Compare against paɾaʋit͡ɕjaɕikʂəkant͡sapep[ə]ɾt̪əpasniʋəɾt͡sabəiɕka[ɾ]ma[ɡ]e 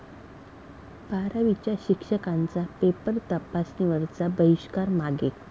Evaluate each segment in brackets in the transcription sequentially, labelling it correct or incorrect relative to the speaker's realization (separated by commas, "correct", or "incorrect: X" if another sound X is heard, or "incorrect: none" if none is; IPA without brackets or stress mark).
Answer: correct, correct, correct